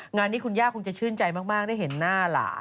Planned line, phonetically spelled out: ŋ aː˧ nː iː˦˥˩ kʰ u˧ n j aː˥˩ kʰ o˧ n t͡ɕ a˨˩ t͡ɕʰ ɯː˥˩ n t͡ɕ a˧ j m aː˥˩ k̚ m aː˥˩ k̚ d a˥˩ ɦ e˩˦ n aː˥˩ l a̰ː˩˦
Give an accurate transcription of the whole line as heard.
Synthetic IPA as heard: ŋ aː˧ nː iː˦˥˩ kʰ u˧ n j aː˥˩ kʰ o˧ ŋ t͡ɕ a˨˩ t͡ɕʰ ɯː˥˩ n t͡ɕ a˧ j m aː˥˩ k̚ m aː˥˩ k̚ d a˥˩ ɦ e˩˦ nː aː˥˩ l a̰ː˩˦

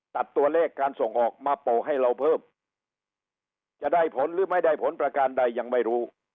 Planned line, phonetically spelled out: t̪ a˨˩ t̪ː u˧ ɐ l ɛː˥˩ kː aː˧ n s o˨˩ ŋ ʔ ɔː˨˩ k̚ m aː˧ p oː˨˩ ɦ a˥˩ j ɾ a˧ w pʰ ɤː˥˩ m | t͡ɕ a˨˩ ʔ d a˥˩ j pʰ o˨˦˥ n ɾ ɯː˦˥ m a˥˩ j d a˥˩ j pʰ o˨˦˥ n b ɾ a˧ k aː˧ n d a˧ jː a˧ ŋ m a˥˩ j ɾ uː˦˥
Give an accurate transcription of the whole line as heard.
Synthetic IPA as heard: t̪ a˨˩ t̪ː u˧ ɐ l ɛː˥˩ kː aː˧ n s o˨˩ ŋ ʔ ɔː˨˩ k̚ m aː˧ p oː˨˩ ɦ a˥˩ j ɾ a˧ w pʰ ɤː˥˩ m | t͡ɕ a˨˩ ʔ d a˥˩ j pʰ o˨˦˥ n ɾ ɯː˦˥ m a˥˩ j d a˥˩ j pʰ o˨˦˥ n p ɾ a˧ k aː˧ n d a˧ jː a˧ ŋ m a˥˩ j ɾ uː˦˥

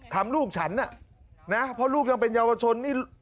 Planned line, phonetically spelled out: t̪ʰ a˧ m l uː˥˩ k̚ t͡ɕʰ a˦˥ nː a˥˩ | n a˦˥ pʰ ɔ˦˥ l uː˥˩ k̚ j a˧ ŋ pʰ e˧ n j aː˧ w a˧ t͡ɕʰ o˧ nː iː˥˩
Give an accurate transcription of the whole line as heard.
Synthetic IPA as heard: t̪ʰ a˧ m l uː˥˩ k̚ t͡ɕʰ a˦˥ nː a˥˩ | n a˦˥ pʰ ɔ˦˥ l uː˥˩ k̚ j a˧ ŋ p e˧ n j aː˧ w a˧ t͡ɕʰ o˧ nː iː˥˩

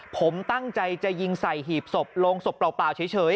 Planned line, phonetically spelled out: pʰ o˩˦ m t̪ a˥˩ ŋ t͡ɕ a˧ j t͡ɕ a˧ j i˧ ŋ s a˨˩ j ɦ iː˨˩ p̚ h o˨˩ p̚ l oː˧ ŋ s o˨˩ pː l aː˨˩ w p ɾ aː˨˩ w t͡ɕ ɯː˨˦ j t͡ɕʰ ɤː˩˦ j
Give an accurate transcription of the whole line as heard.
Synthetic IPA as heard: pʰ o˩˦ m t̪ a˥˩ ŋ t͡ɕ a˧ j t͡ɕ a˨˩ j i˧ ŋ s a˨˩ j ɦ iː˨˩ p̚ s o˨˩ p̚ l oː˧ ŋ s o˨˩ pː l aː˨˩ w p l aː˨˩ w t͡ɕʰ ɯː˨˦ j t͡ɕʰ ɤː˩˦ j

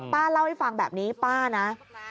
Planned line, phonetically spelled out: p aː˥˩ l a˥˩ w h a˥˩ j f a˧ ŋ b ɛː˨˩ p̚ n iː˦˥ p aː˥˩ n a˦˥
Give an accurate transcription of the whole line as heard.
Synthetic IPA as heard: p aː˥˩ l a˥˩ w h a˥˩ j f a˧ ŋ b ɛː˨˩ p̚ n iː˦˥ p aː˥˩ n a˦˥

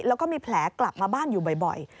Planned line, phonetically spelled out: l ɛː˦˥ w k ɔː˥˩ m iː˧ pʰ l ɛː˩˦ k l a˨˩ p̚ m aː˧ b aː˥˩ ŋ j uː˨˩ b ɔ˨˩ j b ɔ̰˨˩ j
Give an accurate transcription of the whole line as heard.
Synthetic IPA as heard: l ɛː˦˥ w k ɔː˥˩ m iː˧ pʰ l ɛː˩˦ k l a˨˩ p̚ m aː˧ b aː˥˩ n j uː˨˩ b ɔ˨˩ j b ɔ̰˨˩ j

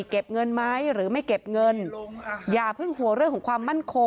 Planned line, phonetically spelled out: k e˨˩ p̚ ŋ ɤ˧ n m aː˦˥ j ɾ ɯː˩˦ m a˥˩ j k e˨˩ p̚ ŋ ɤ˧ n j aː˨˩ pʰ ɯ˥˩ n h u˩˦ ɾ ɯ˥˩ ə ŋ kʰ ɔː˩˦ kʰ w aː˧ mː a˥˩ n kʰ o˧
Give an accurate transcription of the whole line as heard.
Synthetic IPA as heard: k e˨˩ p̚ ŋ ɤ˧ n m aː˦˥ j ɾ ɯː˩˦ m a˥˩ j k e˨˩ p̚ ŋ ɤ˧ n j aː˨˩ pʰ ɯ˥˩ ŋ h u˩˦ ɾ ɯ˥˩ ə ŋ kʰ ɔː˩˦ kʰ w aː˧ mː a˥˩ n kʰ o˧

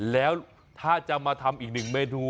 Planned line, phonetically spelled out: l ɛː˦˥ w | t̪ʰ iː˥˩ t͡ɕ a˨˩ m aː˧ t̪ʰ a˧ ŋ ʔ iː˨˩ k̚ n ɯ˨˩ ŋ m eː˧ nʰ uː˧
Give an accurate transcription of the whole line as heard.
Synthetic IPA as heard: l ɛː˦˥ w | t̪ʰ aː˥˩ t͡ɕ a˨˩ m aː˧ t̪ʰ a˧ m ʔ iː˨˩ k̚ n ɯ˨˩ ŋ m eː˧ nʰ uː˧

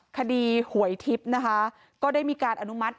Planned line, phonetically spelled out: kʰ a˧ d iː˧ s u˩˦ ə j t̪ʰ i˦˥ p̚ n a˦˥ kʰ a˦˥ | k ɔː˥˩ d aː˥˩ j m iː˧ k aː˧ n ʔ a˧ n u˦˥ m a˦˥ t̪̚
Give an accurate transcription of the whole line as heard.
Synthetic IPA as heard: kʰ a˧ d iː˧ h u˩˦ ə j t̪ʰ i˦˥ p̚ n a˦˥ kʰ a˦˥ | k ɔː˥˩ d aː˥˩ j m iː˧ k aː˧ n ʔ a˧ n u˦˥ m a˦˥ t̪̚

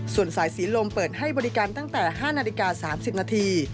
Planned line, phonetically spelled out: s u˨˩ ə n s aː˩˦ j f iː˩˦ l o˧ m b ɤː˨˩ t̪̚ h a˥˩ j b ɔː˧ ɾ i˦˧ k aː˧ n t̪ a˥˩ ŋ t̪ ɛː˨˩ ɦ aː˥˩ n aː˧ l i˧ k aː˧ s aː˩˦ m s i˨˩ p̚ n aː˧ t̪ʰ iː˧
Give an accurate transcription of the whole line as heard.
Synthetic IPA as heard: s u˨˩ ə n s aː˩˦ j s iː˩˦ l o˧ m p ɤː˨˩ t̪̚ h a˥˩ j b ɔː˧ ɾ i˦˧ k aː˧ n t̪ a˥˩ ŋ t̪ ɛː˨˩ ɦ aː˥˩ n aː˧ l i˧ k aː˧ s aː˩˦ m s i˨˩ p̚ n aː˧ t̪ʰ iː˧

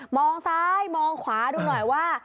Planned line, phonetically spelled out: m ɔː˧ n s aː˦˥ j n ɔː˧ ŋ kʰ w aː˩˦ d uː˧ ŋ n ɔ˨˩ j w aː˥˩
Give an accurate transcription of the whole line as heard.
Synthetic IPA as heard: m ɔː˧ ŋ s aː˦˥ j m ɔː˧ ŋ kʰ w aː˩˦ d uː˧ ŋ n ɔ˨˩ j w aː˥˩

